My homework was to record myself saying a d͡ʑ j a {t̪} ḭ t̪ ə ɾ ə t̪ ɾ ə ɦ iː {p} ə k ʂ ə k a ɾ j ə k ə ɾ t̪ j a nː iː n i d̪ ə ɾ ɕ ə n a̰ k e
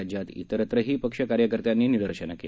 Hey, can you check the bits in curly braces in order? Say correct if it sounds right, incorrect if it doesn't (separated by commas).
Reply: correct, correct